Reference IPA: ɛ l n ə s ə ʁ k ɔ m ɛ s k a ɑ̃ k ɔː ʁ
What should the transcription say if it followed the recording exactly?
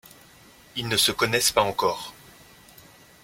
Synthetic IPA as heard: i l n ə s ə k ɔ n ɛ s p a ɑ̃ k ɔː ʁ